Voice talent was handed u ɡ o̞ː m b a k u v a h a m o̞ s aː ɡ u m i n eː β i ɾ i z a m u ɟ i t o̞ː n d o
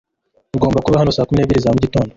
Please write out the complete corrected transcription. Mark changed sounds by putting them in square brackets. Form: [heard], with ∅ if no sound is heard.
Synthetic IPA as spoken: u ɡ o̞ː m b a k u [β] a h a [n] o̞ s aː [k] u m i n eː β i ɾ i z a m u ɟ i t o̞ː n d o

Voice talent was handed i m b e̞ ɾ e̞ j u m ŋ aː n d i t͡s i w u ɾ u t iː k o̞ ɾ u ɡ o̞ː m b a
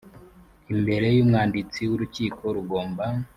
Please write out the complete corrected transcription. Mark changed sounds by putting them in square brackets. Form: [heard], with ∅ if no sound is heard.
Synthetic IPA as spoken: i m b e̞ ɾ e̞ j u m ŋ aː n d i t͡s i w u ɾ u [c] iː k o̞ ɾ u ɡ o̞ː m b a

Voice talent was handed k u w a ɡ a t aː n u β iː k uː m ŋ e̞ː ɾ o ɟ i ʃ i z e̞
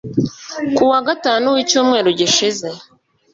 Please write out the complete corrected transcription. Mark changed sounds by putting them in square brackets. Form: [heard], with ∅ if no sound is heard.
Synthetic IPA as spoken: k u w a ɡ a t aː n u [w] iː [c] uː m ŋ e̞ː ɾ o ɟ i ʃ i z e̞

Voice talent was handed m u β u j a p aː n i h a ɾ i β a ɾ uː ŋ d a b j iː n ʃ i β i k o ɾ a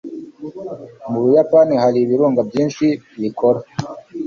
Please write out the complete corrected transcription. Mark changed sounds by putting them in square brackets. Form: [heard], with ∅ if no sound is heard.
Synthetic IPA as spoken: m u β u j a p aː n i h a ɾ i β [i] ɾ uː ŋ [ɡ] a b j iː n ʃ i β i k o ɾ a

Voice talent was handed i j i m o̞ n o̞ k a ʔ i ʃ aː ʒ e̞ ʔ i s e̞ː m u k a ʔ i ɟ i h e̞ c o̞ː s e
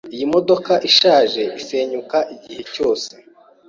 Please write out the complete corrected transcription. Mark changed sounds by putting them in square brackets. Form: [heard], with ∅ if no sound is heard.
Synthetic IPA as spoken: i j i m o̞ [d] o̞ k a ʔ i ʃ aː ʒ e̞ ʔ i s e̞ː [ɲ] u k a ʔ i ɟ i h e̞ c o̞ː s e

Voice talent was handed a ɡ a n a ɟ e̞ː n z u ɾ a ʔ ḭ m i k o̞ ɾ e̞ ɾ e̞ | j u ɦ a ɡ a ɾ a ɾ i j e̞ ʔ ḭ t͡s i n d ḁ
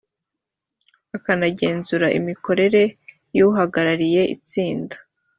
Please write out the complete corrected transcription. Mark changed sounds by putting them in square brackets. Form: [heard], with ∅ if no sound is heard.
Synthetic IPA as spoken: a [k] a n a ɟ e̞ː n z u ɾ a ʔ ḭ m i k o̞ ɾ e̞ ɾ e̞ | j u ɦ a ɡ a ɾ a ɾ i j e̞ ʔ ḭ t͡s [iː] n d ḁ

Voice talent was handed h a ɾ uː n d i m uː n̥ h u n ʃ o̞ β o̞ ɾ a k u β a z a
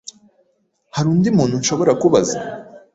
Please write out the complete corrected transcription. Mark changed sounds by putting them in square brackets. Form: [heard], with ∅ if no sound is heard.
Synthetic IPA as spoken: h a ɾ uː n d i m uː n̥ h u n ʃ o̞ β o̞ ɾ a k u β a z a

